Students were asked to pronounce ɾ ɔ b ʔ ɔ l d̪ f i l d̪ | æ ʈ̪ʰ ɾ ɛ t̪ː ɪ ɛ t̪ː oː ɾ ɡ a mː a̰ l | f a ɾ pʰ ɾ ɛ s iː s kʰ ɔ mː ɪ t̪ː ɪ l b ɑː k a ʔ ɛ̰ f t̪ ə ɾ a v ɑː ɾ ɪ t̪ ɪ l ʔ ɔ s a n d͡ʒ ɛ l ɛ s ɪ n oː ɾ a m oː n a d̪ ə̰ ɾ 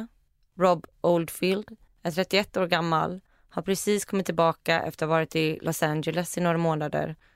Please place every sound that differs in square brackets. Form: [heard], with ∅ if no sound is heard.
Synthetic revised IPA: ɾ ɔ b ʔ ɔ l d̪ f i l d̪ | æ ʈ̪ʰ ɾ ɛ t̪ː ɪ ɛ t̪ː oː ɾ ɡ a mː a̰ l | [h] a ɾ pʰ ɾ ɛ s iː s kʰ ɔ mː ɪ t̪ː ɪ l b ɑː k a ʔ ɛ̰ f t̪ ə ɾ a v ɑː ɾ ɪ t̪ ɪ l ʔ ɔ s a n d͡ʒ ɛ l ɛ s ɪ n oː ɾ a m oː n a d̪ ə̰ ɾ